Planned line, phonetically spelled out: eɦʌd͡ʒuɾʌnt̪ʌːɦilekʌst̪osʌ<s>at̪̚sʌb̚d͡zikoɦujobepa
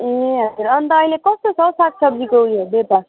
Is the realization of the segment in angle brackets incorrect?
no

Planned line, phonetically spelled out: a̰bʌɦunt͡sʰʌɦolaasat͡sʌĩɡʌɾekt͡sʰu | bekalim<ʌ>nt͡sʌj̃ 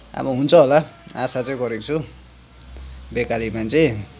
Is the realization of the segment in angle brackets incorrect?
yes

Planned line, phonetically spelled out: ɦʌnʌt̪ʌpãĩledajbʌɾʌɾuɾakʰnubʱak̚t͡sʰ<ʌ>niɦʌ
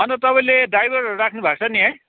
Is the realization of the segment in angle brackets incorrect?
no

